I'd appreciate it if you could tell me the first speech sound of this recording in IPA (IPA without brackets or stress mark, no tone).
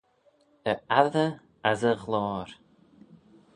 ə